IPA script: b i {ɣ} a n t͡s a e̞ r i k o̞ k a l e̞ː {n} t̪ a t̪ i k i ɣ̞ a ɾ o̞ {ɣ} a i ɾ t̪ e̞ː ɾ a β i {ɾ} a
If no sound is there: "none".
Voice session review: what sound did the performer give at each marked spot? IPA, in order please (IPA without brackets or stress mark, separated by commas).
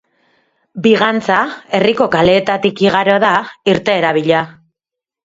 ɣ, none, ð, ʎ